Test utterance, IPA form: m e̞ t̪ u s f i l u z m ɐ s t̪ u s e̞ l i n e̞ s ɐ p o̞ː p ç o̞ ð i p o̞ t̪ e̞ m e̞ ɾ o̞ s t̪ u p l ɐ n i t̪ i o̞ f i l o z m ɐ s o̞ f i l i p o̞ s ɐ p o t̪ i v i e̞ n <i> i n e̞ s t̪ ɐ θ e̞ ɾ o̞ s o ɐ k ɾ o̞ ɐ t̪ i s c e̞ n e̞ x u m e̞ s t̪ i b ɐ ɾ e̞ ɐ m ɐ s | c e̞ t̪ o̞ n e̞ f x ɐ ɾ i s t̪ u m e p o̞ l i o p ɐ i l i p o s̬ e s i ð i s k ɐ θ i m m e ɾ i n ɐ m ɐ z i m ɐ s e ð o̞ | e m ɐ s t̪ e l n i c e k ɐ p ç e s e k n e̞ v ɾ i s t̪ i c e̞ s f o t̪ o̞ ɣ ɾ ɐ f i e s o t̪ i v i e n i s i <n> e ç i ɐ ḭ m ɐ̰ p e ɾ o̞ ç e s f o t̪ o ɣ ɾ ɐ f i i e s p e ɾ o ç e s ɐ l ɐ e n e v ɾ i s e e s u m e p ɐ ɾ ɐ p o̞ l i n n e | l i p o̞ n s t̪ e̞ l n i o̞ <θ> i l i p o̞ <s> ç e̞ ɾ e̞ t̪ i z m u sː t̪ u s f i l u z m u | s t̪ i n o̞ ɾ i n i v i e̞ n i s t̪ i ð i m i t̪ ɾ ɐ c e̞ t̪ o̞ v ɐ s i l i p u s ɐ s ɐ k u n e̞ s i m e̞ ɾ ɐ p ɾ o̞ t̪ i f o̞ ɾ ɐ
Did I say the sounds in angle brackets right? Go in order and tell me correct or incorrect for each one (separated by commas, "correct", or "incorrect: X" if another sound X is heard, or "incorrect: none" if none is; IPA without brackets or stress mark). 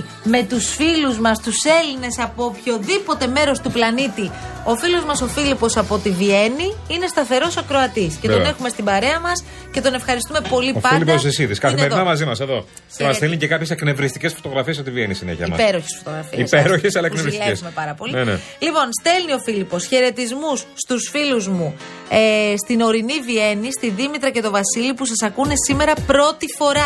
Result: correct, correct, incorrect: f, correct